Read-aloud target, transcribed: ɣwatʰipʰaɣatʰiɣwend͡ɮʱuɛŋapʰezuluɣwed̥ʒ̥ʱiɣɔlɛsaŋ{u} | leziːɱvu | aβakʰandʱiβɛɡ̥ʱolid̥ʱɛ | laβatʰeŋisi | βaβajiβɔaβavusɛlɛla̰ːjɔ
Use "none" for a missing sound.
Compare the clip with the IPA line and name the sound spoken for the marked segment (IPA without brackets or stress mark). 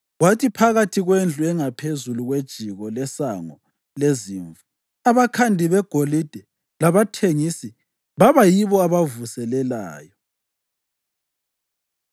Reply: ɔ